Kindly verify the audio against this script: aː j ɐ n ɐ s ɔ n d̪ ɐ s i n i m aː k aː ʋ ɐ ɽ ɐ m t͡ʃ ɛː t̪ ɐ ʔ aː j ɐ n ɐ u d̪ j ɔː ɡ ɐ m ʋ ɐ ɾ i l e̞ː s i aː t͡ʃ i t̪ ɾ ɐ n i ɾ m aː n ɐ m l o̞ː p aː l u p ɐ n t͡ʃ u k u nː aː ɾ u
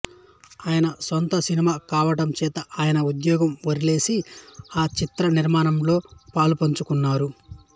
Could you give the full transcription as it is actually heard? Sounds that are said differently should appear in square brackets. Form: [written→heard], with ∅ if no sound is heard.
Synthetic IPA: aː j ɐ n ɐ s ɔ n [d̪→t̪] ɐ s i n i m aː k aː ʋ ɐ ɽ ɐ m t͡ʃ ɛː t̪ ɐ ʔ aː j ɐ n ɐ u d̪ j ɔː ɡ ɐ m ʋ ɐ ɾ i l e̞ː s i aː t͡ʃ i t̪ ɾ ɐ n i ɾ m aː n ɐ m l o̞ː p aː l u p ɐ [n→ɲ] t͡ʃ u k u nː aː ɾ u

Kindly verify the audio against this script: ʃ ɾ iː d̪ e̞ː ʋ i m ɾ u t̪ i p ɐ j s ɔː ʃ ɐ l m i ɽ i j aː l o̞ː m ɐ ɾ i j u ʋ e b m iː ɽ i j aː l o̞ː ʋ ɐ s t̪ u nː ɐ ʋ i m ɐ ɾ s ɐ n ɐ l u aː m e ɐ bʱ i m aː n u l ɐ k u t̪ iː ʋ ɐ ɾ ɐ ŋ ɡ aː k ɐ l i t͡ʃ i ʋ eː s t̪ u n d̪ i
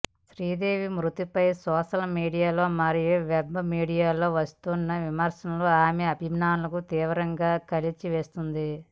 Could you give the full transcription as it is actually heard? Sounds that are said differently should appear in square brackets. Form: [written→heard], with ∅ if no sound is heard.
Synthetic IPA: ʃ ɾ iː d̪ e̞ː ʋ i m ɾ u t̪ i p ɐ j s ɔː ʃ ɐ l m [i→iː] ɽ i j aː l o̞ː m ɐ ɾ i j u ʋ e b m iː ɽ i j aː l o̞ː ʋ ɐ s t̪ u nː ɐ ʋ i m ɐ ɾ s ɐ n ɐ l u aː m e ɐ bʱ i m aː n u l ɐ k u t̪ iː ʋ ɐ ɾ ɐ ŋ ɡ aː k ɐ l i t͡ʃ i ʋ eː s t̪ u n d̪ i

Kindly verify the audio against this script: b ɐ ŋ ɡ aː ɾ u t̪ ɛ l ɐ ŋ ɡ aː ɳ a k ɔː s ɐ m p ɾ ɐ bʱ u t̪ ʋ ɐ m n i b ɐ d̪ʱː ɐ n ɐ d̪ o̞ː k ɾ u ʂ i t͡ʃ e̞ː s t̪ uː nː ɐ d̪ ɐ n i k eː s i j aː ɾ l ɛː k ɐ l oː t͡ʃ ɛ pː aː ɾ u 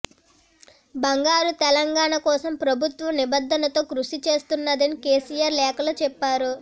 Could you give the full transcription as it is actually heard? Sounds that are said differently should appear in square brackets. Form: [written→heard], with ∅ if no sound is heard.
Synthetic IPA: b ɐ ŋ ɡ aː ɾ u t̪ ɛ l ɐ ŋ ɡ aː ɳ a k ɔː s ɐ m p ɾ ɐ bʱ u t̪ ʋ ɐ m n i b ɐ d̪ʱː ɐ n ɐ [d̪→t̪] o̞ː k ɾ u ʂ i t͡ʃ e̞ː s t̪ [uː→u] nː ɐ d̪ ɐ n i k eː s i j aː ɾ l ɛː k ɐ l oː t͡ʃ ɛ pː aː ɾ u

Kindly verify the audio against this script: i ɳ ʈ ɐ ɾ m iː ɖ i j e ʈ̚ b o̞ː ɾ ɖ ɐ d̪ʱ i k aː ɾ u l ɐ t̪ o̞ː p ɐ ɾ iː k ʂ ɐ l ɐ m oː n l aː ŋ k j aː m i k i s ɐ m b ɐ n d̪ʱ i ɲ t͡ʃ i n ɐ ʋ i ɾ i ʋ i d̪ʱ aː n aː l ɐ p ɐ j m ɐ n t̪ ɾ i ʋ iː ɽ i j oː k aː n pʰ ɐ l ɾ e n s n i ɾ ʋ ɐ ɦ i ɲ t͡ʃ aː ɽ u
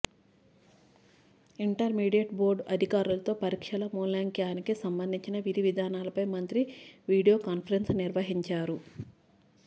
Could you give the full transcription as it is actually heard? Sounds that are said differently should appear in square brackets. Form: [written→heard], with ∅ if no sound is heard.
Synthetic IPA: i ɳ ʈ ɐ ɾ m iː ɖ i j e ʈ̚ b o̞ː ɾ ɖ ɐ d̪ʱ i k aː ɾ u l ɐ t̪ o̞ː p ɐ ɾ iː k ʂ ɐ l ɐ m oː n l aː ŋ k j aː [m→n] i k i s ɐ m b ɐ n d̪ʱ i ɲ t͡ʃ i n ɐ ʋ i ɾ i ʋ i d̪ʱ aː n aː l ɐ p ɐ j m ɐ n t̪ ɾ i ʋ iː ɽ i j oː k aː n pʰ ɐ [l→∅] ɾ e n s n i ɾ ʋ ɐ ɦ i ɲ t͡ʃ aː [ɽ→ɾ] u

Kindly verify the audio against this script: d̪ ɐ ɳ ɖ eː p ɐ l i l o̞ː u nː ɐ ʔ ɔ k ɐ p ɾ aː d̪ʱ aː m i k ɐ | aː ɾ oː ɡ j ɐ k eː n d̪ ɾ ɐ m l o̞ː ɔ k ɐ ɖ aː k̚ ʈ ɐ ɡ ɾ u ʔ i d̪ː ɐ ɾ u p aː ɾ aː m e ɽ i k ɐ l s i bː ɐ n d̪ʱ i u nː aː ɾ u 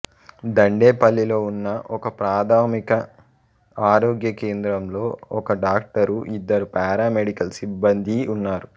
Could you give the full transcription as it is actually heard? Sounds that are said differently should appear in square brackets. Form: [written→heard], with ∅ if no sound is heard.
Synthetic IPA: d̪ ɐ ɳ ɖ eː p ɐ [l→lː] i l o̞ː u nː ɐ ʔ ɔ k ɐ p ɾ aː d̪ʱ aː m i k ɐ | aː ɾ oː ɡ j ɐ k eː n d̪ ɾ ɐ m l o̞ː ɔ k ɐ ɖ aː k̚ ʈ ɐ [ɡ→∅] ɾ u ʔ i d̪ː ɐ ɾ u p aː ɾ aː m e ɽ i k ɐ l s i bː ɐ n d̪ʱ i u nː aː ɾ u

